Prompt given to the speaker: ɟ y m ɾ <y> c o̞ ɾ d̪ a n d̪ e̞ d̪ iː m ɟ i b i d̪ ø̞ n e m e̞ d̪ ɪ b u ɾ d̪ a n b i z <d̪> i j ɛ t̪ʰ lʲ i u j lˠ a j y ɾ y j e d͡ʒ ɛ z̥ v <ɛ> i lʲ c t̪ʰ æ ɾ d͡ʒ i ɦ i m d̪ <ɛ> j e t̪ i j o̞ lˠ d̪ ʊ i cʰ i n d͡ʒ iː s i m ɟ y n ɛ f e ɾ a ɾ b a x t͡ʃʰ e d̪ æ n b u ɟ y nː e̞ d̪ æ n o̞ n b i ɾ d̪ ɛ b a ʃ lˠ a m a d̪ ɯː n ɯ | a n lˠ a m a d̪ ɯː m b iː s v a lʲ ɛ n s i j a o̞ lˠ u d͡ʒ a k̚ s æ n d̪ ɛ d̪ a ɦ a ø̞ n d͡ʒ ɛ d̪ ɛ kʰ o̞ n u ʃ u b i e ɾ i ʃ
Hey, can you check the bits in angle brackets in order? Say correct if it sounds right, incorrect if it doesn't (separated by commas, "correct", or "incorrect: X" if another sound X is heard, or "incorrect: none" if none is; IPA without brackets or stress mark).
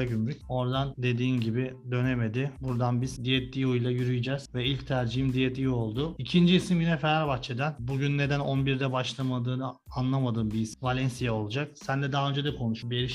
correct, correct, correct, incorrect: i